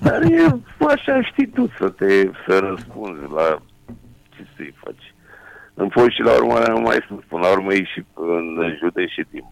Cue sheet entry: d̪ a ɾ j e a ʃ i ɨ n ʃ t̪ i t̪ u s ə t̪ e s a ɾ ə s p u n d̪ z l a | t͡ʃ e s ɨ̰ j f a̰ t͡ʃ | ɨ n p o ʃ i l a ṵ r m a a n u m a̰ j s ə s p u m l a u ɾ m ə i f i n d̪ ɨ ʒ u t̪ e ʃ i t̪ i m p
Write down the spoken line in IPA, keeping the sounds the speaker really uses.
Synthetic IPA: d̪ a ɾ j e a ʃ a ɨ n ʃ t̪ i t̪ u s ə t̪ e s ə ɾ ə s p u n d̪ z l a | t͡ʃ e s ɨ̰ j f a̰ t͡ʃ | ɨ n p o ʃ i l a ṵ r m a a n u m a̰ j s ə s p u n l a u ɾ m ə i ʃ i n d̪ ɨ ʒ u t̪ e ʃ i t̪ i m p